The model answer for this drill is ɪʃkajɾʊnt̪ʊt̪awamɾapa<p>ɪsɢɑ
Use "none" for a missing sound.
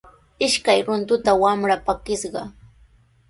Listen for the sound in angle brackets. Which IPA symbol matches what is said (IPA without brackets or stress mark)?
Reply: k